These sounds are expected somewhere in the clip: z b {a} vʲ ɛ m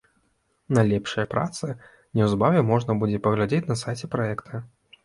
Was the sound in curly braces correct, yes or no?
yes